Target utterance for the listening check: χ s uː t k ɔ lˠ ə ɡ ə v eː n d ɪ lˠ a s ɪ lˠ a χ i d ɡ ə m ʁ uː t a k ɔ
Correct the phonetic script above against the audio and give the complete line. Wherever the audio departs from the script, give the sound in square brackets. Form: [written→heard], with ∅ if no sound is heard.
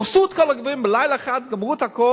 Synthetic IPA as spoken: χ s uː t k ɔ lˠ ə ɡ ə v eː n [d→b] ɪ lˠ a [s→∅] ɪ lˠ a χ [i→a] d ɡ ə m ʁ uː t a k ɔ